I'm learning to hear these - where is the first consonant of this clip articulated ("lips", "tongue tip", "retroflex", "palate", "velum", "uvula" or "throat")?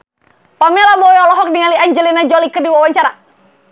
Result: lips